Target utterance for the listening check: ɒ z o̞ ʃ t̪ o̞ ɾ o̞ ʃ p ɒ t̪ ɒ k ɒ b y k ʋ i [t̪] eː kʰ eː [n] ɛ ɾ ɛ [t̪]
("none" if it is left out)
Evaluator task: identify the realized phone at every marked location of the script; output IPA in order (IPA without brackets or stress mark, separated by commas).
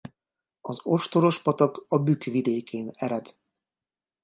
d̪, n, d̪